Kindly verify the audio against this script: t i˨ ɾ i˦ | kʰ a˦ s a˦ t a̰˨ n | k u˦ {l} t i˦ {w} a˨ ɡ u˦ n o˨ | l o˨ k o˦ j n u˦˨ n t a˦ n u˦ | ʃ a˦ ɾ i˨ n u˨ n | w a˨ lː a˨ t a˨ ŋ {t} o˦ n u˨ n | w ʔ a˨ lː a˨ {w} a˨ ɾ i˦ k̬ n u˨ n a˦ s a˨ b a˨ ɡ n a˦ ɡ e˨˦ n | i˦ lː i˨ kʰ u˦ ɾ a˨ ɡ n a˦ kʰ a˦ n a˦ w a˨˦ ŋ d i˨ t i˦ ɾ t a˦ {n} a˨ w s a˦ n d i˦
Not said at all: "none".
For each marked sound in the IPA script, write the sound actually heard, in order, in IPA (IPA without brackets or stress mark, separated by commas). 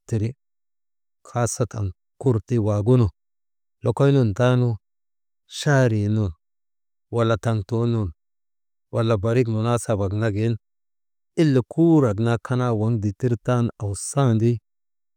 ɾ, w, t, b, n